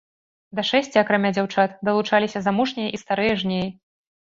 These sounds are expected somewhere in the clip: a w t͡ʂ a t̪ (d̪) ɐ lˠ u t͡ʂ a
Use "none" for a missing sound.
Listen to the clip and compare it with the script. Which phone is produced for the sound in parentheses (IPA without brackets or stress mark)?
d̪